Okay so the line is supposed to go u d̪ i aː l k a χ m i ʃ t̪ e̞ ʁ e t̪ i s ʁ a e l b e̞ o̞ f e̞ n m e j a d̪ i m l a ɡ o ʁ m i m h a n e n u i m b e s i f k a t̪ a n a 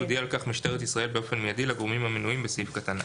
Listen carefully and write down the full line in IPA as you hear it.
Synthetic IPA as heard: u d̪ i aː l k a χ m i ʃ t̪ e̞ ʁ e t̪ i s ʁ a e l b e̞ o̞ f e̞ n m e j a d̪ i l a ɡ o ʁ m i m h a m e n u i m b e s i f k a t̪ a n a